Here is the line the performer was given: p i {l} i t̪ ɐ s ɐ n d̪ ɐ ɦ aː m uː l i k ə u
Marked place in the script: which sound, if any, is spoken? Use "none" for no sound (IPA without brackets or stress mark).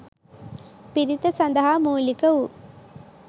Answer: ɾ